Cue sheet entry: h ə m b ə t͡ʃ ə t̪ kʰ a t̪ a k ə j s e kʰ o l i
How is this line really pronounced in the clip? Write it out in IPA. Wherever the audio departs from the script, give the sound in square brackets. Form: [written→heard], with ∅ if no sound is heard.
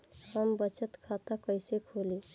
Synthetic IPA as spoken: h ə m b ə t͡ʃ ə t̪ kʰ a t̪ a k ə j s e kʰ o l i